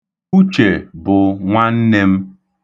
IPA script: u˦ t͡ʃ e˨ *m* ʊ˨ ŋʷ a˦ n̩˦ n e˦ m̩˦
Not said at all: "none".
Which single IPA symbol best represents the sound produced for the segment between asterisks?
b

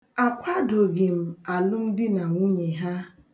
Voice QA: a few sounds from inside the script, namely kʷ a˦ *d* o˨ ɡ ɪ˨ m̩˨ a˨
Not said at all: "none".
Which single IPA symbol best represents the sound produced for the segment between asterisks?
d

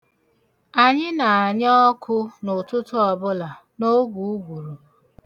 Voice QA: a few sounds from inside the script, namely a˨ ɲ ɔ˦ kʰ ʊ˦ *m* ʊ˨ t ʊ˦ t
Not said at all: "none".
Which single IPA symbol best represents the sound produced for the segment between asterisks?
n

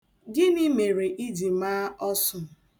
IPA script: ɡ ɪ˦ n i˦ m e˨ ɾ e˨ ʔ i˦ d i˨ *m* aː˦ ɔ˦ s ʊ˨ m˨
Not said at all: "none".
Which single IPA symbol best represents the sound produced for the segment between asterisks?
m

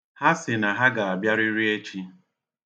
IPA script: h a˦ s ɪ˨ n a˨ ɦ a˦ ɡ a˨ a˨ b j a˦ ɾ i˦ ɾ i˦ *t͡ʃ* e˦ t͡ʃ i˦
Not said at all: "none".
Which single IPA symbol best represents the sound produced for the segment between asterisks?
none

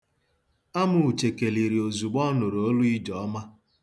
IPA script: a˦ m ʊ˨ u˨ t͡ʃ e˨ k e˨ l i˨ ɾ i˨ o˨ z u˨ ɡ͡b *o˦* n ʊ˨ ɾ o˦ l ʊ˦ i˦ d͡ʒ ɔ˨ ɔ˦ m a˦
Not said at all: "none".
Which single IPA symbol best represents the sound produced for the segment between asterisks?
ɔ˦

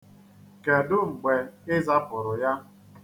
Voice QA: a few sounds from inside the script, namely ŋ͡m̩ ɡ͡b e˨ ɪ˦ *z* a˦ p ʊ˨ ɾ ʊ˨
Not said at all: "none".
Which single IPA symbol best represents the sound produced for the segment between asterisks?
z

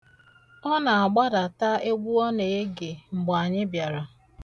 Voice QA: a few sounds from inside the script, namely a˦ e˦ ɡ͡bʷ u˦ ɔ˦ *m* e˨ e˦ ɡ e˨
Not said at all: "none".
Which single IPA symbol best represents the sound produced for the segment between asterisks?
n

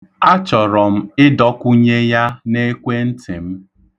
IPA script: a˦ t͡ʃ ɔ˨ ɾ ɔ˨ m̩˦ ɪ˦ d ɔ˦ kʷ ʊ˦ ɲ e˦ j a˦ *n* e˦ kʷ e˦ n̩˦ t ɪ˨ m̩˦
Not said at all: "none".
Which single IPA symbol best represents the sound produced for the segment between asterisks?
n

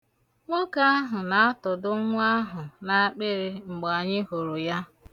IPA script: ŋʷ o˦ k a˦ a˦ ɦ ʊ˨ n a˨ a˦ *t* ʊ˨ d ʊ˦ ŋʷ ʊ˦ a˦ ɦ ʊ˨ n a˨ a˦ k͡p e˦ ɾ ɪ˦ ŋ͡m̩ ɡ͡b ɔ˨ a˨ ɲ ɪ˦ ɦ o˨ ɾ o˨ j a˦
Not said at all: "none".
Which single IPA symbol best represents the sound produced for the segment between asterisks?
t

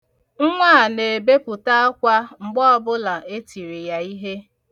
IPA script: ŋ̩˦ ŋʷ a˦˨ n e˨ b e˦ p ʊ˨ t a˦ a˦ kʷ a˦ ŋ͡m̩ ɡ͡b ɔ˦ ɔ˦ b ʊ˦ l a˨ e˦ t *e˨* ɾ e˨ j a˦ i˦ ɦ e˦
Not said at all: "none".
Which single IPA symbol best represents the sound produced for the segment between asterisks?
i˨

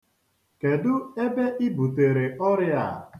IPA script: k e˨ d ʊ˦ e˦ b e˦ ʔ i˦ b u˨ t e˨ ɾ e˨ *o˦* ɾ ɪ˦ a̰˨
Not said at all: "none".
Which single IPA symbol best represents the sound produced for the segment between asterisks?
ɔ˦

